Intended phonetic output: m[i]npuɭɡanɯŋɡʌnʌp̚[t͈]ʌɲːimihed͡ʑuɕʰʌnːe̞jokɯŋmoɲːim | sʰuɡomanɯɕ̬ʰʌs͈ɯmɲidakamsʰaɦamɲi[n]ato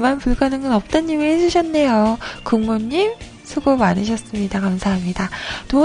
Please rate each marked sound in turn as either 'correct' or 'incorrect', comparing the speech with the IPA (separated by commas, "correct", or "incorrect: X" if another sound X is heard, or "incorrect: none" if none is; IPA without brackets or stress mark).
incorrect: a, correct, incorrect: d